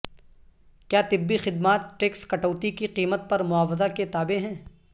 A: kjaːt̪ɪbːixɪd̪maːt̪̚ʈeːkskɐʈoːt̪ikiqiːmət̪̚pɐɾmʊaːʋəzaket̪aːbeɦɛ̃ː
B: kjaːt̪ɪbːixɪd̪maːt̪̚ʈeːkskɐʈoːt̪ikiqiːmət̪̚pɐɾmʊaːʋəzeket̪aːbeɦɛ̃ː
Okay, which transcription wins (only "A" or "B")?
A